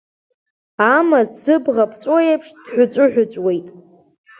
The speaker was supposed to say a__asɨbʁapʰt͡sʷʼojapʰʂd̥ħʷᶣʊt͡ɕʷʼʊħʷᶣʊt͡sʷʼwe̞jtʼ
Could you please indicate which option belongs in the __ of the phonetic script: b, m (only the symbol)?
m